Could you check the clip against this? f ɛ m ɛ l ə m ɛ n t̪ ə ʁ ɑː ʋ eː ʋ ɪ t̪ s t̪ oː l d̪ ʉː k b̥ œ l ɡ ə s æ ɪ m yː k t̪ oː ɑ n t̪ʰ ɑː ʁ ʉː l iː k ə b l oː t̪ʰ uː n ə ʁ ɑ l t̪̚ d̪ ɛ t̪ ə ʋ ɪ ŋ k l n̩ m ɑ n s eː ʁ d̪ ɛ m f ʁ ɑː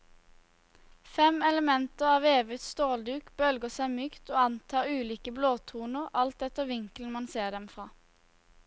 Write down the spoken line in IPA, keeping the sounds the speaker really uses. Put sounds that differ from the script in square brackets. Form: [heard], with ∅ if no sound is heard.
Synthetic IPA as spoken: f ɛ m ɛ l ə m ɛ n t̪ ə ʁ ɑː ʋ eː ʋ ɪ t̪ s t̪ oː l d̪ ʉː k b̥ œ l ɡ ə s æ ɪ m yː k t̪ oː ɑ n t̪ʰ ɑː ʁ ʉː l iː k ə b l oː t̪ʰ uː n ə ʁ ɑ l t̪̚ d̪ ɛ t̪ ə ʋ ɪ ŋ k l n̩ m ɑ n s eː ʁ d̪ ɛ m f ʁ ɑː